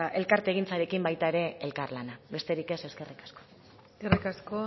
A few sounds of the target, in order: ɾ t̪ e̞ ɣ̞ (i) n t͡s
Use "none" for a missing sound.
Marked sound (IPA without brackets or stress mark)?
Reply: i